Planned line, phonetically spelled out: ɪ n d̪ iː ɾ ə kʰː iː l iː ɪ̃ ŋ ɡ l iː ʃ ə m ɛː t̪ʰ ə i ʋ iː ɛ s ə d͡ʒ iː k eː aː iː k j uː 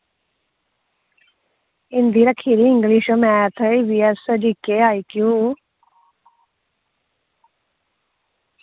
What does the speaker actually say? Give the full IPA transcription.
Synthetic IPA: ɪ n d̪ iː ɾ ə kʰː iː ɾ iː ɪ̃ ŋ ɡ l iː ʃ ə m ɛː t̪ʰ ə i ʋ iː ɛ s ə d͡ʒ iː k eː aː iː k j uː